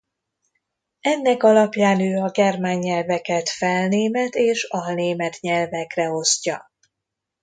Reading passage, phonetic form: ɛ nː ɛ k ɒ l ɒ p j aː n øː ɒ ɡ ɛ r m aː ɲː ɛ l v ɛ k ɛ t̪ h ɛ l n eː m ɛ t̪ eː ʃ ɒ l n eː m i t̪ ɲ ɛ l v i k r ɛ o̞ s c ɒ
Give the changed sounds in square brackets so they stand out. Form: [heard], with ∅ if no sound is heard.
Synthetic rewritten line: ɛ nː ɛ k ɒ l ɒ p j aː n øː ɒ ɡ ɛ r m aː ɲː ɛ l v ɛ k ɛ t̪ [f] ɛ l n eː m ɛ t̪ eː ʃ ɒ l n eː m [ɛ] t̪ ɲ ɛ l v [ɛ] k r ɛ o̞ s c ɒ